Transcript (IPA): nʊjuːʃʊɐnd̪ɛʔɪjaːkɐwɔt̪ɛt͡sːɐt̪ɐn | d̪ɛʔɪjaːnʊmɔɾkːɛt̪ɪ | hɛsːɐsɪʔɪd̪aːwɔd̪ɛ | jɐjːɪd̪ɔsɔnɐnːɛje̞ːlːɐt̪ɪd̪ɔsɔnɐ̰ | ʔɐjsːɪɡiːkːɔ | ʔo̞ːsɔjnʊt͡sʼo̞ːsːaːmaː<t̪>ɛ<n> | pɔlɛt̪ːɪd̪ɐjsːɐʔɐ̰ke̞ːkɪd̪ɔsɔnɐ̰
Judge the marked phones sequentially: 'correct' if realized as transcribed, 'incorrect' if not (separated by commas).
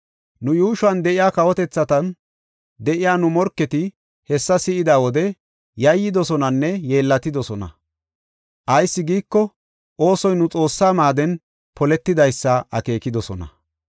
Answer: incorrect, correct